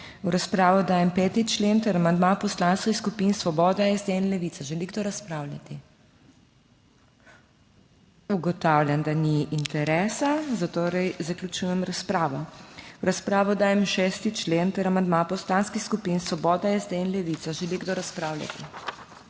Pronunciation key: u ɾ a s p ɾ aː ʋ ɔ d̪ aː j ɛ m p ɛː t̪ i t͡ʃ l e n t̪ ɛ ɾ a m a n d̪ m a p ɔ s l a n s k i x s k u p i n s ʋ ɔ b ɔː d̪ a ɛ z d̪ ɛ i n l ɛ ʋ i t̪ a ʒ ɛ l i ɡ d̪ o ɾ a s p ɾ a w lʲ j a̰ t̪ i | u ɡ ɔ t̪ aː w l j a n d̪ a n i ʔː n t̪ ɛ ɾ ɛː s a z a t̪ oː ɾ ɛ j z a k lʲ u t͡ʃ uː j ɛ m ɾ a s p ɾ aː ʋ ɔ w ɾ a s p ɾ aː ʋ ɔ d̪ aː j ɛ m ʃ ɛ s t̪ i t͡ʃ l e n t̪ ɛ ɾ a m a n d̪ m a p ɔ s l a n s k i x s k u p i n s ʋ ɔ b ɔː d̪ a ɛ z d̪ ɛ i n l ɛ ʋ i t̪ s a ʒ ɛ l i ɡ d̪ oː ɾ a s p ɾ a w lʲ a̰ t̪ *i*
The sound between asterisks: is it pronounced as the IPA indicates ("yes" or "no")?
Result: yes